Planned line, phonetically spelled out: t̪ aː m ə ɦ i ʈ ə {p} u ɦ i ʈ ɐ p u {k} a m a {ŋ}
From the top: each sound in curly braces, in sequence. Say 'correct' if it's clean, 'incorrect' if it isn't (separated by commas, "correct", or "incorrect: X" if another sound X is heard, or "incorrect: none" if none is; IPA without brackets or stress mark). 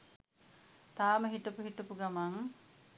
correct, incorrect: ɡ, correct